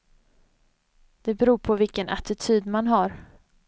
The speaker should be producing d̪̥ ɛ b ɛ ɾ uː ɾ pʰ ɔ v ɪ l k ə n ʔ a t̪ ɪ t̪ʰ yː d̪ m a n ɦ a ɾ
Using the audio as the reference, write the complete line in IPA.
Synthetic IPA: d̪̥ ɛ b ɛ ɾ uː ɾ pʰ ɔ v ɪ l k ə n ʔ a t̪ ɪ t̪ʰ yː d̪ m a n ɦ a ɾ

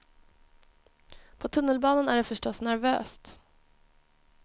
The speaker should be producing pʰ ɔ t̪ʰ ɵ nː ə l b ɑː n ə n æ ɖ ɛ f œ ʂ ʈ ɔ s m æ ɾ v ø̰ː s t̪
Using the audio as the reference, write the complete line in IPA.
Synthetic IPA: pʰ ɔ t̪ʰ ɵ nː ə l b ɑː n ə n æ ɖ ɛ f œ ʂ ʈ ɔ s n æ ɾ v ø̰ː s t̪

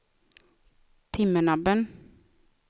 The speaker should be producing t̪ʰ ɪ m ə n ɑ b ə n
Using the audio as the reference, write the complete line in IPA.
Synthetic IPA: t̪ʰ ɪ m ə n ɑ b ə n

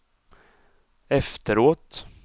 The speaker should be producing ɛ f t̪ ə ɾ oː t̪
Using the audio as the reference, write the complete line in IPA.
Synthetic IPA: ɛ f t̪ ə ɾ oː t̪

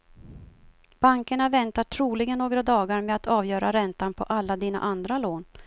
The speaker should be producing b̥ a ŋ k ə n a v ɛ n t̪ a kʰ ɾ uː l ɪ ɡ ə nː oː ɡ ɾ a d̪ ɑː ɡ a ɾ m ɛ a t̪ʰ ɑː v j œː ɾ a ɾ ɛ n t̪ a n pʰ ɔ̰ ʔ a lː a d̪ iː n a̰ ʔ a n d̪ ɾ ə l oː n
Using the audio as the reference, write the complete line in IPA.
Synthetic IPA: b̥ a ŋ k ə ɳ a v ɛ n t̪ a ʈʰ ɾ uː l ɪ ɡ ə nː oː ɡ ɾ a d̪ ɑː ɡ a ɾ m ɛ a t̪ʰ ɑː v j œː ɾ a ɾ ɛ n t̪ a n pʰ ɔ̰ ʔ a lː a d̪ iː n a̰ ʔ a n d̪ ɾ a l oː n

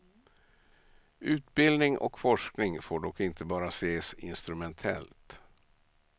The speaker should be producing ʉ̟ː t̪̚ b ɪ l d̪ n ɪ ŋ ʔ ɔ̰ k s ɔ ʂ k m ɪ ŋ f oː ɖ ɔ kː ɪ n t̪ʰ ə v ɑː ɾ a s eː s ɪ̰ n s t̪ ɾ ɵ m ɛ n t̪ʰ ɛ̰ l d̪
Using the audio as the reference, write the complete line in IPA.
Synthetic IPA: ʉ̟ː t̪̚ b ɪ l d̪ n ɪ ŋ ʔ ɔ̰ k f ɔ ʂ k n ɪ ŋ f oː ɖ ɔ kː ɪ n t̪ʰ ə b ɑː ɾ a s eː s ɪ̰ n s t̪ ɾ ɵ m ɛ n t̪ʰ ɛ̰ l t̪

